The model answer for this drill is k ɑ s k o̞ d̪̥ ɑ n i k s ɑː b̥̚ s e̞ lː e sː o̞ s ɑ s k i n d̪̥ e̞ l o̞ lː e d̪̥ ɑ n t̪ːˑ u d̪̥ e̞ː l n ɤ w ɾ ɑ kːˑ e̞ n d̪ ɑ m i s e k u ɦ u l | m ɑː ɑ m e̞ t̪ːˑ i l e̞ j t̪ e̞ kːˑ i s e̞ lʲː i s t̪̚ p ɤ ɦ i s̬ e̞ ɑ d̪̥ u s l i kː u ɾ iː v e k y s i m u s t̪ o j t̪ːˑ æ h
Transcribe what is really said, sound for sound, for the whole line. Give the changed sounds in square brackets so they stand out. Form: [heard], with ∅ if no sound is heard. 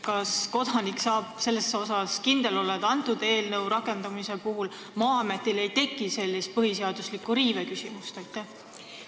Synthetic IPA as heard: k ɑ s k o̞ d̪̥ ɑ n i k s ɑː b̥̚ s e̞ lː e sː o̞ s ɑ s k i n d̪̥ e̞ l o̞ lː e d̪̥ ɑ n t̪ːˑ u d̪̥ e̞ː l n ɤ w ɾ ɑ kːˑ e̞ n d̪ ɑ m i s e [p] u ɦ u l | m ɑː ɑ m e̞ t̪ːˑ i l e̞ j t̪ e̞ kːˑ i s e̞ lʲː i s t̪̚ p ɤ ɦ i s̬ e̞ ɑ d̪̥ u s l i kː u ɾ iː v e k y s i m u s t̪ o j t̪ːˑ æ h